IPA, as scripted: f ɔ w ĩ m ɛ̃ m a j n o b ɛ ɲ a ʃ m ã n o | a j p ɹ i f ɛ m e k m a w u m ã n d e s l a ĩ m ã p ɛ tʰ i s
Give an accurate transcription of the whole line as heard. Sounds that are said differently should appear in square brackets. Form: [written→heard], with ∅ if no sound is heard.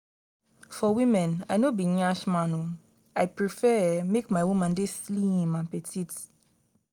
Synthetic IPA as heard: f ɔ w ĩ m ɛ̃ [m→n] a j n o b [ɛ→i] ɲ a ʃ m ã n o | a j p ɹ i f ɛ m e k m a w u m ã n d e s l [a→i] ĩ m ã p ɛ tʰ i [s→t]